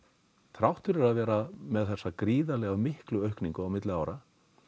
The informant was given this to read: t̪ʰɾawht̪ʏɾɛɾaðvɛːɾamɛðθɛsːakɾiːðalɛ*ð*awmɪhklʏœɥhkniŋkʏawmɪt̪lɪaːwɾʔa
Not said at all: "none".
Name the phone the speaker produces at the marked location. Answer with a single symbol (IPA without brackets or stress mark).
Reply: ɣ